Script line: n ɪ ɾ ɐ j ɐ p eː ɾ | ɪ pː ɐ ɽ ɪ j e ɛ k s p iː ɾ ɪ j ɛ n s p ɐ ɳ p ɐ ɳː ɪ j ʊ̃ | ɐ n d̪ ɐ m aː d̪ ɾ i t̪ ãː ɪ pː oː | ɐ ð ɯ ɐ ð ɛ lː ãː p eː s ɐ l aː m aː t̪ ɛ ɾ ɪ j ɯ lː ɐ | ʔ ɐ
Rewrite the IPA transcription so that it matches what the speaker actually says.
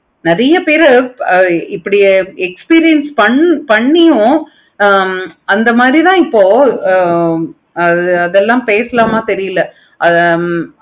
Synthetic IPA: n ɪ ɾ ɐ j ɐ p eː ɾ | ɪ pː ɐ ɽ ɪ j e ɛ k s p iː ɾ ɪ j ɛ n s p ɐ ɳ p ɐ ɳː ɪ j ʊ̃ | ɐ n d̪ ɐ m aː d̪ ɾ i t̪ ãː ɪ pː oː | ɐ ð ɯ ɐ ð ɛ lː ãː p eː s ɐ l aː m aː t̪ ɛ ɾ ɪ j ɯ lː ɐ | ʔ ɐ